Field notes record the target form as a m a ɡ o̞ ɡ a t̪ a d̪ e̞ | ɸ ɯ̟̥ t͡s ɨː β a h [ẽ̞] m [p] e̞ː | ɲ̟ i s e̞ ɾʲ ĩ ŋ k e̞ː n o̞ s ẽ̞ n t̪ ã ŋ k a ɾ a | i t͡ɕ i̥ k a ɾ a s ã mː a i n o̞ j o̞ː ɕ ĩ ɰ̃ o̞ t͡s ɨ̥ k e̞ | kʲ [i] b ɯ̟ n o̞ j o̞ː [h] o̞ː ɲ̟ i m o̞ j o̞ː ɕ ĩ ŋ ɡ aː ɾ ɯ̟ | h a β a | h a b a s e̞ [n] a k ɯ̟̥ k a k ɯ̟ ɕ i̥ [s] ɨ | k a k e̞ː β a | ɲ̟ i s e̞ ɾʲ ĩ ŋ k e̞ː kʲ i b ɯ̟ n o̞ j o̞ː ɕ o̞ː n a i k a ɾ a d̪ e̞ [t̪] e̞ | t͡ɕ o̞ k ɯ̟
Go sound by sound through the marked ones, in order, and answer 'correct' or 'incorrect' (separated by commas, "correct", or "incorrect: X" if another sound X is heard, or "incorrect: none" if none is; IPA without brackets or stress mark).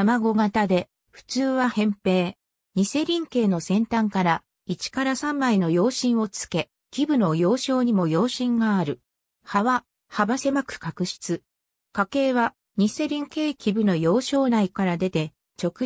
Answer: correct, correct, correct, incorrect: ɕ, incorrect: m, incorrect: t͡s, correct